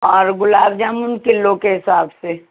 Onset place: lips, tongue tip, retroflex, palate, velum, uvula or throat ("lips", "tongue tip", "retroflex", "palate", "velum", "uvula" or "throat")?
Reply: tongue tip